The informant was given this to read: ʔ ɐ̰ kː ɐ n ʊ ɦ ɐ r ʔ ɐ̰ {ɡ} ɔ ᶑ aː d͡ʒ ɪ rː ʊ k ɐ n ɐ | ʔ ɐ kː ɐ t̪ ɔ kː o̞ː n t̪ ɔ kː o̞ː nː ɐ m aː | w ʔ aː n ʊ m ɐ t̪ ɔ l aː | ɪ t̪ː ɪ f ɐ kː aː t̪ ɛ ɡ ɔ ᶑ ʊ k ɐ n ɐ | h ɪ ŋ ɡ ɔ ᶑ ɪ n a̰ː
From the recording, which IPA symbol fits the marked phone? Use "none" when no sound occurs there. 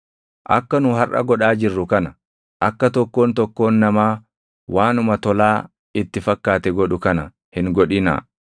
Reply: ɡ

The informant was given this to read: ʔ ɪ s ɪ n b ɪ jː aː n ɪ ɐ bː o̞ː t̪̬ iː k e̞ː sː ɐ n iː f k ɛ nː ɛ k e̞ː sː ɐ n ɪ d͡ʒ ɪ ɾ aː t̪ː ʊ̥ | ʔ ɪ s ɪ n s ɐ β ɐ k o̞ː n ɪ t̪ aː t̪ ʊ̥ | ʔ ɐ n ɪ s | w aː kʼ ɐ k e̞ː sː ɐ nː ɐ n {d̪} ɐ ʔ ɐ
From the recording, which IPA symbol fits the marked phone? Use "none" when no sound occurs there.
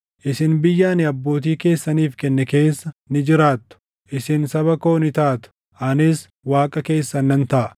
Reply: t̪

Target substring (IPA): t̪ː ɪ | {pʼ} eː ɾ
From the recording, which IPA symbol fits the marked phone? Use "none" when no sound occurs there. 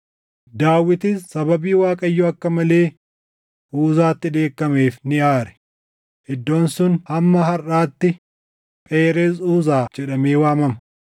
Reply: pʼ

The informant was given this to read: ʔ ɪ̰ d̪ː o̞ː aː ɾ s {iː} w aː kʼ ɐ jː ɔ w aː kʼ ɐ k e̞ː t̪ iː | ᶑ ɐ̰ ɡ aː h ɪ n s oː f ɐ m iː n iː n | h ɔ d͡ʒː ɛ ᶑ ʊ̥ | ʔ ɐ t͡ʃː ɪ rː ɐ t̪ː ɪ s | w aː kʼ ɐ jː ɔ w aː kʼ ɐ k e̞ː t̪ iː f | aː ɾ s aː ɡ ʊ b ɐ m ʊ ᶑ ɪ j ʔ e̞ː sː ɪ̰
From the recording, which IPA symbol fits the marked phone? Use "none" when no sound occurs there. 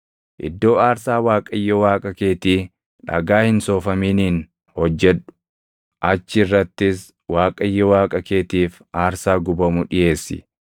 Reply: aː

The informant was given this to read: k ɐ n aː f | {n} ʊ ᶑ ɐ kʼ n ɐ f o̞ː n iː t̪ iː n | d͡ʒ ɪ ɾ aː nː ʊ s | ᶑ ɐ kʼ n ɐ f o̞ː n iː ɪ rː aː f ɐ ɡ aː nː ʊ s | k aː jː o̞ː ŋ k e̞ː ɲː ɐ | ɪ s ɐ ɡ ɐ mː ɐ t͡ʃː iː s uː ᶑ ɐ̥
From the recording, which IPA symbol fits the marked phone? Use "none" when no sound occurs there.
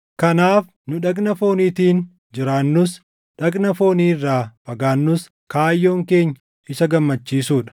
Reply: n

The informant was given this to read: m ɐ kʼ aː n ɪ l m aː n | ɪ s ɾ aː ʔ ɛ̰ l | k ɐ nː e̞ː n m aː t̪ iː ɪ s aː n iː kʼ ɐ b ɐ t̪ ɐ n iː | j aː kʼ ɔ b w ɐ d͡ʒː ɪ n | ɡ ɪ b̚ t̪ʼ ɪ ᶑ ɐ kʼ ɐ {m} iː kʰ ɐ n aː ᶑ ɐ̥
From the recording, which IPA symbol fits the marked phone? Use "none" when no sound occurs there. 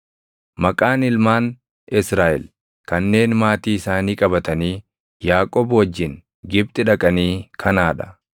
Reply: n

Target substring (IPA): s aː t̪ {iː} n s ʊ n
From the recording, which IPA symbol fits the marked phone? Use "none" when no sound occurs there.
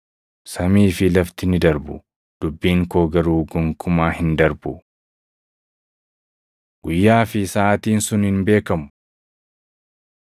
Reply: iː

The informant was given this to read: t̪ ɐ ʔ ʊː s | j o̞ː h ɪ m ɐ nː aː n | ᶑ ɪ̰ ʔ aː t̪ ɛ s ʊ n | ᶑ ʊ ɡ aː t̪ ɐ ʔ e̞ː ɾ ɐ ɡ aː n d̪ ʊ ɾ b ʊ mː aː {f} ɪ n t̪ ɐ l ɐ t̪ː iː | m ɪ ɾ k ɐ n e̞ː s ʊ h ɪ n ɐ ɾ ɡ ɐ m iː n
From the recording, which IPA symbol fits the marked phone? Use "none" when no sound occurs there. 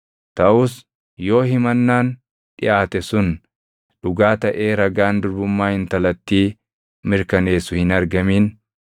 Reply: h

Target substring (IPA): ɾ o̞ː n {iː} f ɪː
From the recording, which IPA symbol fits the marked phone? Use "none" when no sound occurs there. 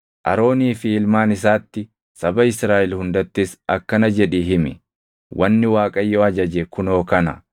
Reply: iː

